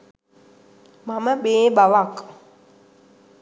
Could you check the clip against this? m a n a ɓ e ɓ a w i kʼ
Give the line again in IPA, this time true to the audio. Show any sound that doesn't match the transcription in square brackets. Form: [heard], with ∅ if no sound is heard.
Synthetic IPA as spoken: m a [m] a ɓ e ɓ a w [a] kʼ